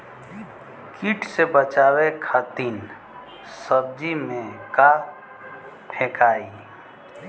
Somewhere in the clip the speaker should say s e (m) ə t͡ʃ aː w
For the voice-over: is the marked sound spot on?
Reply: no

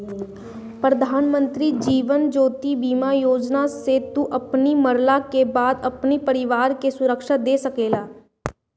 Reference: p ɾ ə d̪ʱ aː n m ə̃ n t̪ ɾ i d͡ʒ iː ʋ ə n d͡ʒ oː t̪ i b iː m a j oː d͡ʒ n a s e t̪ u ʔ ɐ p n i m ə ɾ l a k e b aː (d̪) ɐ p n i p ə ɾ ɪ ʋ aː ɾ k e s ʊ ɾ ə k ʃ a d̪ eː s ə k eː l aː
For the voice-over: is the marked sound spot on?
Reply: yes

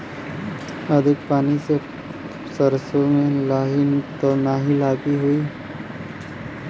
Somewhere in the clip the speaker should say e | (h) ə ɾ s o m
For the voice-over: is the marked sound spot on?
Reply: no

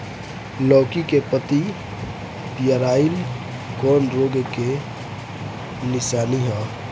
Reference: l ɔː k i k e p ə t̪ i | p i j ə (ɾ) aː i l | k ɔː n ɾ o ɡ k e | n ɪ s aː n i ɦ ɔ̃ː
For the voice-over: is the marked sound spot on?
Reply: yes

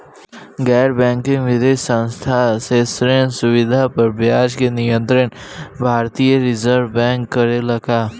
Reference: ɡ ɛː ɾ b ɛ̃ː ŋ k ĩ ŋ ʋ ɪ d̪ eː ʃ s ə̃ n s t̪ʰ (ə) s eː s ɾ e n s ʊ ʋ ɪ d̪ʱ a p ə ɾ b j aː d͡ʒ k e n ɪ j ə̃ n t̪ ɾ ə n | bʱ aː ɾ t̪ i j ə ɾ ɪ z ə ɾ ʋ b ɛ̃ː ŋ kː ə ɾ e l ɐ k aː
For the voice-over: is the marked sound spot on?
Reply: no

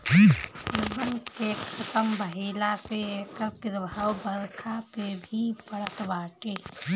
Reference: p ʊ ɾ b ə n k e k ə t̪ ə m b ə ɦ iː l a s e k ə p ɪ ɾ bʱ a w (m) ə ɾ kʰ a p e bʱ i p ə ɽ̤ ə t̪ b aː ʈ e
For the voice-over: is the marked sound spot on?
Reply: no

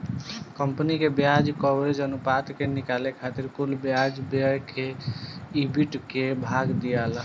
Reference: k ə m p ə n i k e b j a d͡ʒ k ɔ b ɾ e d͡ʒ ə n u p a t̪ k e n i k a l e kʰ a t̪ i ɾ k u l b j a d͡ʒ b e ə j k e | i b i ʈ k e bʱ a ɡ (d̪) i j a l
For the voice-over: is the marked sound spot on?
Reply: yes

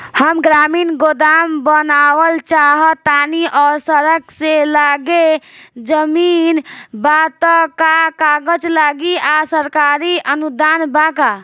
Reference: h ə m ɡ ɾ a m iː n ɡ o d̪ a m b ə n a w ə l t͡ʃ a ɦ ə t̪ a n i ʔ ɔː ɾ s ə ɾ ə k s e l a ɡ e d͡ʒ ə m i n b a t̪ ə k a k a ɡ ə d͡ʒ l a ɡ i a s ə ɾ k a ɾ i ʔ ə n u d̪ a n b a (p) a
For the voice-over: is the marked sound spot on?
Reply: no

